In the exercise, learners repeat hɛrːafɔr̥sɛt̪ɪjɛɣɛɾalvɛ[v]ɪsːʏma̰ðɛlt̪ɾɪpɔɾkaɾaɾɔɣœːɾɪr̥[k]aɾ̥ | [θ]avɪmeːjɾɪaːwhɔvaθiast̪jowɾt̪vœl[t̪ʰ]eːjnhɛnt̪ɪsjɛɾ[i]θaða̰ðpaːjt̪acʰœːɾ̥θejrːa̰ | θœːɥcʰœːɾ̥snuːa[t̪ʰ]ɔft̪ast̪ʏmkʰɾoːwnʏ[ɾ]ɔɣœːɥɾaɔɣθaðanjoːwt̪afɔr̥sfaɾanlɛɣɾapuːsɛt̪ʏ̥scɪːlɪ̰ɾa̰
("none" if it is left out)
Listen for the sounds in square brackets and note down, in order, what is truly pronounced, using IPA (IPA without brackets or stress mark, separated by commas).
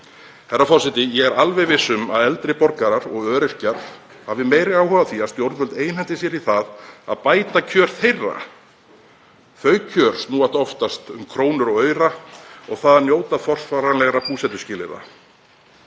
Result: v, c, h, t̪, i, t̪, ɾ